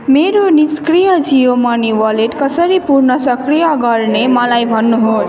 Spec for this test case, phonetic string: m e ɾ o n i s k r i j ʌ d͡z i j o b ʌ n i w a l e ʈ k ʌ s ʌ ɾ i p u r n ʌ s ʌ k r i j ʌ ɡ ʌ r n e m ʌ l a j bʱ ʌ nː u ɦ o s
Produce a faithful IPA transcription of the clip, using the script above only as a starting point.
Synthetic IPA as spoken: m e ɾ o n i s k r i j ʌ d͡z i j o m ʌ n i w ʌ l e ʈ k ʌ s ʌ ɾ i p u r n ʌ s ʌ k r i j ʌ ɡ ʌ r n e m ʌ l a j bʱ ʌ nː u ɦ o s